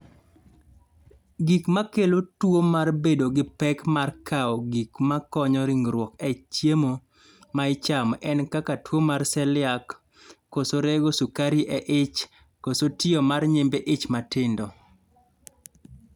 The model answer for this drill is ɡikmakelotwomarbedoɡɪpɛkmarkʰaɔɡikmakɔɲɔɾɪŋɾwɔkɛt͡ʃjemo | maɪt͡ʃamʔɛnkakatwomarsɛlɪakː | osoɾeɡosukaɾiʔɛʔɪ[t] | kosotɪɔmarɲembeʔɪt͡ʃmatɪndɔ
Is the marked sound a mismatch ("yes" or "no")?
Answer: yes